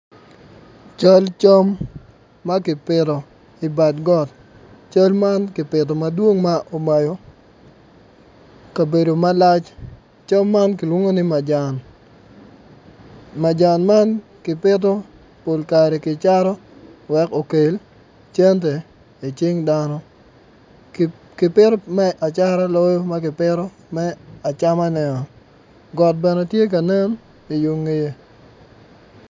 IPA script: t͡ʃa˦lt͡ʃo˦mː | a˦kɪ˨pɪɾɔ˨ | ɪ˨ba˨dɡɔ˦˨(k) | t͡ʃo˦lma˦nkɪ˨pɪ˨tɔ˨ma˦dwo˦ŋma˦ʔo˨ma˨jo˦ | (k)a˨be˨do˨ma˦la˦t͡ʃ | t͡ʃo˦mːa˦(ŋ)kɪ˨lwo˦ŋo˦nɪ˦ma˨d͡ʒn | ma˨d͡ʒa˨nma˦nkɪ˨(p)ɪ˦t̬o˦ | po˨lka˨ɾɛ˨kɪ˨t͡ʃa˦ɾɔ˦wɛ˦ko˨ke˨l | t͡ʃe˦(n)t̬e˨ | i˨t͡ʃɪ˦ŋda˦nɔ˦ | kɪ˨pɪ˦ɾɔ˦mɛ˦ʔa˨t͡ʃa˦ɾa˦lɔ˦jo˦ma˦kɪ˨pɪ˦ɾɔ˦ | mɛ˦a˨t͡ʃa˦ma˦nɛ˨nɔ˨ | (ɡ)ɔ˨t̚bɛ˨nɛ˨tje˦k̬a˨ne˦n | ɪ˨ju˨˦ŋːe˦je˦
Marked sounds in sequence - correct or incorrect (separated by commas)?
incorrect, correct, incorrect, correct, correct, correct